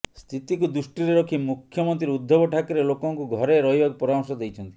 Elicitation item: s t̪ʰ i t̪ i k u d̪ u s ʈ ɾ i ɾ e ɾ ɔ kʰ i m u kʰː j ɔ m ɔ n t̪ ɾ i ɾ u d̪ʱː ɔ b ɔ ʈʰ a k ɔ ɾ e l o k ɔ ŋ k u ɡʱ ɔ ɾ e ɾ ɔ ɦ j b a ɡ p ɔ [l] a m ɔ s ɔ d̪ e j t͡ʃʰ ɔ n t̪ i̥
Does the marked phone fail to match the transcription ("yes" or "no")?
yes